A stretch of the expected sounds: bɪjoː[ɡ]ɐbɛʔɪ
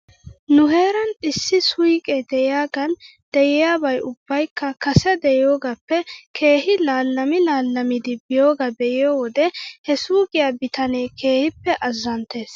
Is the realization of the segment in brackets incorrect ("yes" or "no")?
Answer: no